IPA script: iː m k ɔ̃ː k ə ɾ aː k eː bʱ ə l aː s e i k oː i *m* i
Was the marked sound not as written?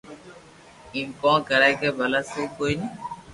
yes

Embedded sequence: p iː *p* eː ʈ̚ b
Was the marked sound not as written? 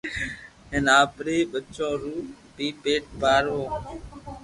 no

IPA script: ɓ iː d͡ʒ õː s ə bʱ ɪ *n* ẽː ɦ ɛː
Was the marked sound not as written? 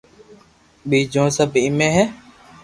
yes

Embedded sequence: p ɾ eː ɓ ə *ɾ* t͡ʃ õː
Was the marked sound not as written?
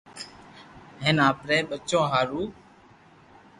yes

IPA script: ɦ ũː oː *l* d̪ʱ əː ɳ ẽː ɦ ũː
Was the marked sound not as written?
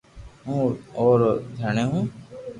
yes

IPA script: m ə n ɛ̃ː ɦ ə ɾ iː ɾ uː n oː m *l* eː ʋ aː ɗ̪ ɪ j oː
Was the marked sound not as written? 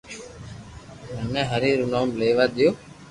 no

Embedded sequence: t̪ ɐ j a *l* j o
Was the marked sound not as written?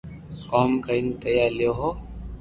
no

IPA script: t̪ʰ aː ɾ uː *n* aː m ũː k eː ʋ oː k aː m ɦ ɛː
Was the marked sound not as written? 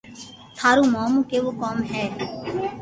yes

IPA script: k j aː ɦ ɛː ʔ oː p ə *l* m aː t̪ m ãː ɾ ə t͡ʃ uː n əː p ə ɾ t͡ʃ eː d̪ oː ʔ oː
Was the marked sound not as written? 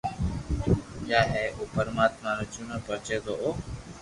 yes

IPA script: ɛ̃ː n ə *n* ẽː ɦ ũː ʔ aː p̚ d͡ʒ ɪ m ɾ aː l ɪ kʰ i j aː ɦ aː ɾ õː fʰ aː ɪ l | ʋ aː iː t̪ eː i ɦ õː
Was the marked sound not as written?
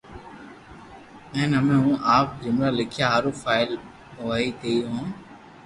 yes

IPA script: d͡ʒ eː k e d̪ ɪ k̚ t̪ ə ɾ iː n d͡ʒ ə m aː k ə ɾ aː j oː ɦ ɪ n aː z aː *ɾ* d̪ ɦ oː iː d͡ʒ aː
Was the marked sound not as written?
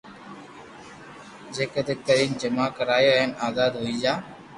yes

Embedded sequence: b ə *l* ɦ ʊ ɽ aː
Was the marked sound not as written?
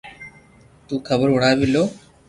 yes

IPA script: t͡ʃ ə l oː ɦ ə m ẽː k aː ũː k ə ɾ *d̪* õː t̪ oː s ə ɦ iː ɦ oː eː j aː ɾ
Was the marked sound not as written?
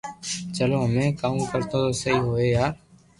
yes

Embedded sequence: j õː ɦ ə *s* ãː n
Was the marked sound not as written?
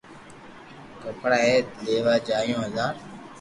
yes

